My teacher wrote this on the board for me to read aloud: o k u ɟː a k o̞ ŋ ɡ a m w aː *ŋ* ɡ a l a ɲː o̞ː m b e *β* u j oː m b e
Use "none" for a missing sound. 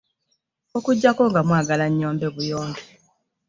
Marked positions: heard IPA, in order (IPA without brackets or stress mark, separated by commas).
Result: none, β